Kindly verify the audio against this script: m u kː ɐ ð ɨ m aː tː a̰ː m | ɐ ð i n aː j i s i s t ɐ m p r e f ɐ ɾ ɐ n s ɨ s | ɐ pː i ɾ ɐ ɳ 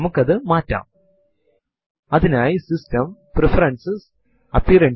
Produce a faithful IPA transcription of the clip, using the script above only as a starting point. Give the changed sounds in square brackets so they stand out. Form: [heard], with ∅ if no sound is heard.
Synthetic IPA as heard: m u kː ɐ ð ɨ m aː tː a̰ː m | ɐ ð i n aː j i s i s t ɐ m p r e f ɐ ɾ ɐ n s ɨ s | ɐ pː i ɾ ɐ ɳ

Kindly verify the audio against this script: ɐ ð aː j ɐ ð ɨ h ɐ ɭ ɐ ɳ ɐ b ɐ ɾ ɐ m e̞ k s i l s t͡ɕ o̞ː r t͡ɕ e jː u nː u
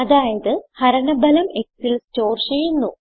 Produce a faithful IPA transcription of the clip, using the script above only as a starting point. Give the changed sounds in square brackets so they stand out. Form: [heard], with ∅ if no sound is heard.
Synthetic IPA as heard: ɐ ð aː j ɐ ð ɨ h ɐ [ɾ] ɐ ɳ ɐ b ɐ [l] ɐ m e̞ k s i l s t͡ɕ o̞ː r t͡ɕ e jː u nː u

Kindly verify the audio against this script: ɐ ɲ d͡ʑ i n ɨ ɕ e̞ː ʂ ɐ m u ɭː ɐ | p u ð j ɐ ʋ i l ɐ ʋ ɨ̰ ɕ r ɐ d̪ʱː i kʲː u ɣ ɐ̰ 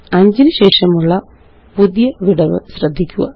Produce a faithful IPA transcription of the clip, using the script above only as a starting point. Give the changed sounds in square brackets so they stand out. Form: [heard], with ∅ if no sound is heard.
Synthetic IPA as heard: ɐ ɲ d͡ʑ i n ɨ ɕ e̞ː ʂ ɐ m u ɭː ɐ | p u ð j ɐ ʋ i [ɽ] ɐ ʋ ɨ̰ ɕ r ɐ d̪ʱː i kʲː u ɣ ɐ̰

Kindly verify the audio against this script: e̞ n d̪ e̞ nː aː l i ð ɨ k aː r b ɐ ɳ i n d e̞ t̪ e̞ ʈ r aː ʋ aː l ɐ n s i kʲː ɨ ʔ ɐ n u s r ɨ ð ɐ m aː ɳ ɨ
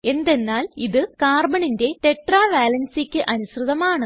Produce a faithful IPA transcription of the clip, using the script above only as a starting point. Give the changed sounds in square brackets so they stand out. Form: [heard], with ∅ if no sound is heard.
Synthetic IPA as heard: e̞ n d̪ e̞ nː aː l i ð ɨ k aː r b ɐ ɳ i n d e̞ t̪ e̞ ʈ r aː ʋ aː l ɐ n s i kʲː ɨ ʔ ɐ n u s r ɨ ð ɐ m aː ɳ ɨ

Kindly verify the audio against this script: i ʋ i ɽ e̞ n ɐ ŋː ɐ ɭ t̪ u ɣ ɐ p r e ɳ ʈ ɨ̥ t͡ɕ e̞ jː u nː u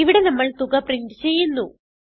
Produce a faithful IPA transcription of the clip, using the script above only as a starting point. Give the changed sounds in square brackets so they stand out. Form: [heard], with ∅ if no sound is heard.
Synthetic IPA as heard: i ʋ i ɽ e̞ n ɐ [mː] ɐ ɭ t̪ u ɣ ɐ p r [i] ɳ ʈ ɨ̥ t͡ɕ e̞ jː u nː u

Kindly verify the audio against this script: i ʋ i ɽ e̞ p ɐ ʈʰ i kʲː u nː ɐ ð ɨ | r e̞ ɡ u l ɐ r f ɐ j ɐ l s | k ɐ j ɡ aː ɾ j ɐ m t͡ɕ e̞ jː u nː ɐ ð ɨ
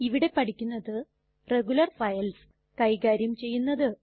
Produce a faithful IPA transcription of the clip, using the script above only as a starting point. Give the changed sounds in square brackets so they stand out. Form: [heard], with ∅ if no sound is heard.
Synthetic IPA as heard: i ʋ i ɽ e̞ p ɐ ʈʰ i kʲː u nː ɐ ð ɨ | r e̞ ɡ u l ɐ r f ɐ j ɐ l s | k ɐ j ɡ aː ɾ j ɐ m t͡ɕ e̞ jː u nː ɐ ð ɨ

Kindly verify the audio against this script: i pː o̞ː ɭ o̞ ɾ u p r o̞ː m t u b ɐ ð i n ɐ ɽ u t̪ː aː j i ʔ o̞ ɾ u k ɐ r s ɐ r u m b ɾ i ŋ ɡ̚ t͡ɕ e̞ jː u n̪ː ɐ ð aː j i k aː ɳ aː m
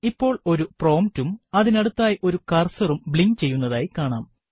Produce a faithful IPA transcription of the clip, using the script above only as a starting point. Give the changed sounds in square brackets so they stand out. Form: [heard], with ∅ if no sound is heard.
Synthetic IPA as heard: i pː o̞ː ɭ o̞ ɾ u p r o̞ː m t u [m] ɐ ð i n ɐ ɽ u t̪ː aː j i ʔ o̞ ɾ u k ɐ r s ɐ r u m b [ɭ] i ŋ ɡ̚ t͡ɕ e̞ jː u n̪ː ɐ ð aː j i k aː ɳ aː m

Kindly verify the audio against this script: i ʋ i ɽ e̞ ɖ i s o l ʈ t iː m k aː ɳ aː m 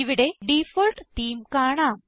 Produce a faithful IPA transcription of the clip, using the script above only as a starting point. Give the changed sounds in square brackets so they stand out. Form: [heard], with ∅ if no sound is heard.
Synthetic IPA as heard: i ʋ i ɽ e̞ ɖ i [f] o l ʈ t iː m k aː ɳ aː m

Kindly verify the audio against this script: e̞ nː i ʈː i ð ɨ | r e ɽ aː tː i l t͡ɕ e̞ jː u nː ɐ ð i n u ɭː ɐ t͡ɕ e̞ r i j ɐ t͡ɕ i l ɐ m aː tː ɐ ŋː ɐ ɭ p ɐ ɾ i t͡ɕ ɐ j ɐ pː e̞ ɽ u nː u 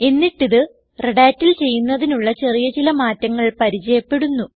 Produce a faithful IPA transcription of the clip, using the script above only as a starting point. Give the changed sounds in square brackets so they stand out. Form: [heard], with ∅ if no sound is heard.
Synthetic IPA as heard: e̞ nː i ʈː i ð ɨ | r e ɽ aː tː i l t͡ɕ e̞ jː u nː ɐ ð i n u ɭː ɐ t͡ɕ e̞ r i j ɐ t͡ɕ i l ɐ m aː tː ɐ ŋː ɐ ɭ p ɐ ɾ i t͡ɕ ɐ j ɐ pː e̞ ɽ u nː u

